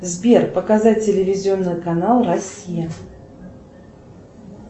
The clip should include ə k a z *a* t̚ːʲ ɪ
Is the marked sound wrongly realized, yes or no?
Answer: no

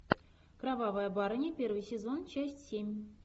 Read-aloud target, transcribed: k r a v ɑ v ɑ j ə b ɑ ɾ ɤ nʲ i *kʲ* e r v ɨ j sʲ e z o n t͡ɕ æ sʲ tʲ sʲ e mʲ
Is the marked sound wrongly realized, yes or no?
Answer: yes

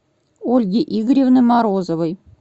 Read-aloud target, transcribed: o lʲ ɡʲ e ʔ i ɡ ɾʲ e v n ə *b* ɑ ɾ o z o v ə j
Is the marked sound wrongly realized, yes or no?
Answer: yes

